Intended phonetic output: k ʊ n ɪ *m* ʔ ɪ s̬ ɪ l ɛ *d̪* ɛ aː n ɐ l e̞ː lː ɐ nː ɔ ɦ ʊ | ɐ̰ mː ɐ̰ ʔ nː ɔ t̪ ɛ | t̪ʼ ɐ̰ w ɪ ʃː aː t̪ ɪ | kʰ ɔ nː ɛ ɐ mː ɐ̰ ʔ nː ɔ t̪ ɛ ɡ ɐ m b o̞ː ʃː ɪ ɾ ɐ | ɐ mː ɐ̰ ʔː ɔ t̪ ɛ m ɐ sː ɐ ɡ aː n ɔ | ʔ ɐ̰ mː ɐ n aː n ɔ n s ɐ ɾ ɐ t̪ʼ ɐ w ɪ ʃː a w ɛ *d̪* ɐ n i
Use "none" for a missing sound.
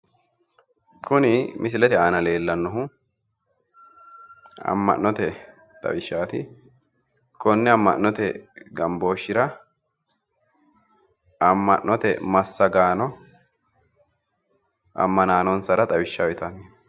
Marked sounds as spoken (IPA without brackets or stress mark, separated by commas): m, t̪, t̪